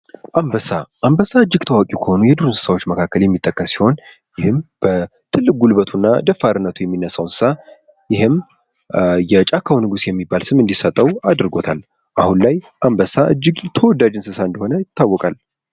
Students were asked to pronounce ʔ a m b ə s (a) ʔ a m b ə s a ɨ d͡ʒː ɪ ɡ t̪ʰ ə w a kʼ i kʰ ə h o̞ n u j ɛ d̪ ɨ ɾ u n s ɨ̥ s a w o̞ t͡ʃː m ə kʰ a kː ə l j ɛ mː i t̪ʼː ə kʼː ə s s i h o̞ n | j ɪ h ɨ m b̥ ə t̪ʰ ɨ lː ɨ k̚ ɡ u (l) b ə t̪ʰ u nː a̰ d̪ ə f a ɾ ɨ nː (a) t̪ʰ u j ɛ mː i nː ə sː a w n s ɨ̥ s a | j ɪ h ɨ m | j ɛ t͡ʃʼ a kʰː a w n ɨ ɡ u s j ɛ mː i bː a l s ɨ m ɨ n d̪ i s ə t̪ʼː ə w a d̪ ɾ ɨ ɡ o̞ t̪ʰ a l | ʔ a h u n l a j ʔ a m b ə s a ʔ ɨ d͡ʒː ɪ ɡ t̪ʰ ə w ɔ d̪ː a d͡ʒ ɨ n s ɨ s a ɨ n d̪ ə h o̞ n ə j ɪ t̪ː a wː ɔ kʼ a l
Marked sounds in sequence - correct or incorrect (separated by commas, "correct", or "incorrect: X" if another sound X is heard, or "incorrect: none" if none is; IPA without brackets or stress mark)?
correct, correct, incorrect: ə